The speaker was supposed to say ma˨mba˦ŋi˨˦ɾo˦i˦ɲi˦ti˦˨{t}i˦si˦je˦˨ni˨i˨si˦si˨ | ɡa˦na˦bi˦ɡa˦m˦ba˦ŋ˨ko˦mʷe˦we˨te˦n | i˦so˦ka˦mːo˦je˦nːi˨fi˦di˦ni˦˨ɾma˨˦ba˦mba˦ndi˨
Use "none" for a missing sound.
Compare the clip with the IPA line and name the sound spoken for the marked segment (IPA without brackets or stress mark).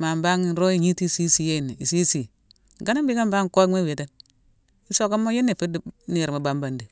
s